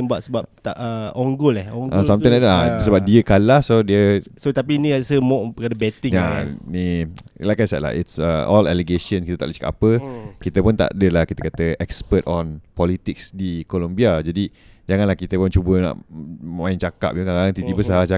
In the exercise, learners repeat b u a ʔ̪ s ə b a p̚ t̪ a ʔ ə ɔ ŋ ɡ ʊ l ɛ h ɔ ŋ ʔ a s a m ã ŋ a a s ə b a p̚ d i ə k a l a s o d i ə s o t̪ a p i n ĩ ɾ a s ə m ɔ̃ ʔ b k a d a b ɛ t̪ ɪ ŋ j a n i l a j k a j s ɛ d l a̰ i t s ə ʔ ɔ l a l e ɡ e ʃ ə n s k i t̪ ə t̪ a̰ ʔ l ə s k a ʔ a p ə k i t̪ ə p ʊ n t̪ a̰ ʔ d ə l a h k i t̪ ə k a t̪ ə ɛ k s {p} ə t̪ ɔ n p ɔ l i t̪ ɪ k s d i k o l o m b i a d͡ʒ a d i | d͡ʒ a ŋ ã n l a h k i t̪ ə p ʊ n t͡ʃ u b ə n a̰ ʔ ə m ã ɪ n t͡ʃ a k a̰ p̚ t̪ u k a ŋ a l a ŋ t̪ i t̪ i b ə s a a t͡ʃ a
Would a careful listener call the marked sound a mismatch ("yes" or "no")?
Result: no